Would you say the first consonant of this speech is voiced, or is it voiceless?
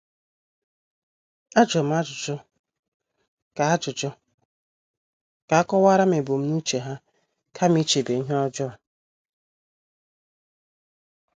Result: voiced